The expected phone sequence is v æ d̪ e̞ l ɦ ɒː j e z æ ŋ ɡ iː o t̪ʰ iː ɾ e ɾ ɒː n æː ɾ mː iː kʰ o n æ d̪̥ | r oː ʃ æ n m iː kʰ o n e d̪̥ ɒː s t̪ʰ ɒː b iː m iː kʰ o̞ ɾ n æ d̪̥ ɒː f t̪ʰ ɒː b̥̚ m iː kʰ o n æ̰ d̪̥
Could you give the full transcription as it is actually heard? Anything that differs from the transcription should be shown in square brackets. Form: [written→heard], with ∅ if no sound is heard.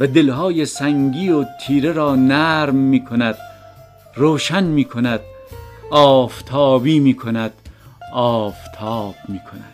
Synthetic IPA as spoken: v æ d̪ e̞ l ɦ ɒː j e [z→s] æ ŋ ɡ iː o t̪ʰ iː ɾ e ɾ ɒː n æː ɾ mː iː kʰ o n æ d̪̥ | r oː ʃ æ n m iː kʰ o n [e→æ] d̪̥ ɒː [s→f] t̪ʰ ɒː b iː m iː kʰ o̞ [ɾ→∅] n æ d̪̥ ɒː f t̪ʰ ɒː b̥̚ m iː kʰ o n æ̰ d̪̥